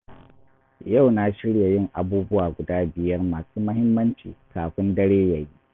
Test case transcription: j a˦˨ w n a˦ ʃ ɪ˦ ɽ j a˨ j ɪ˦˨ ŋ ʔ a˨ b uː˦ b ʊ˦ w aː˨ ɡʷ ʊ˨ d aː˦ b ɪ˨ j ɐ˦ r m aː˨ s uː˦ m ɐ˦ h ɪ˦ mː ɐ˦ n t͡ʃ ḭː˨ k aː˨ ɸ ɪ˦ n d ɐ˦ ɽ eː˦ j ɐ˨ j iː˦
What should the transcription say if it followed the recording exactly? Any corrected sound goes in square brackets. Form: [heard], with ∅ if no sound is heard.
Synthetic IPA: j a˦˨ w n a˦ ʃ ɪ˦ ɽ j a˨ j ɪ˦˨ ŋ ʔ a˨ b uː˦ b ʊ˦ w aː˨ ɡʷ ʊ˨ d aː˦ b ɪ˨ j ɐ˦ r m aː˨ s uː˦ m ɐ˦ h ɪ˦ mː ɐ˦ n t͡ʃ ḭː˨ k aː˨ ɸ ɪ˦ n d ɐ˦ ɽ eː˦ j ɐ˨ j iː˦